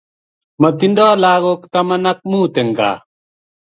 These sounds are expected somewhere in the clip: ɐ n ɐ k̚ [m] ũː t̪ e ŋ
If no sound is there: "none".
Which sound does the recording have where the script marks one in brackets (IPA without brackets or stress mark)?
m